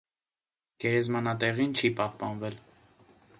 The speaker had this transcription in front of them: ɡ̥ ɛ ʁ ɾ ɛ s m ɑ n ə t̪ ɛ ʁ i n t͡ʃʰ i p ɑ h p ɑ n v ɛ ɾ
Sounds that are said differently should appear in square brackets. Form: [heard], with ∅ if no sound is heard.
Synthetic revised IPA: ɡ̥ ɛ [∅] ɾ ɛ [z] m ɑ n [ɑ] t̪ ɛ ʁ i n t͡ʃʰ i p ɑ h p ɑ n v ɛ [l]